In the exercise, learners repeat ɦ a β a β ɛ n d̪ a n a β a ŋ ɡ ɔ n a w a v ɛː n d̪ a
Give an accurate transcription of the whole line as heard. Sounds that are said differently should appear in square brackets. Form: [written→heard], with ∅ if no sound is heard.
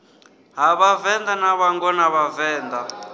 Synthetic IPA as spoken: ɦ a β a [β→v] ɛ n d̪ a n a β a ŋ ɡ ɔ n a [w→β] a v ɛː n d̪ a